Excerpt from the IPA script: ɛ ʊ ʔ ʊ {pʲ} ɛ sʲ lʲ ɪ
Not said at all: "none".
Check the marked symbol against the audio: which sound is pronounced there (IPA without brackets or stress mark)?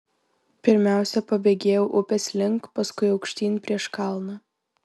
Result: pʲ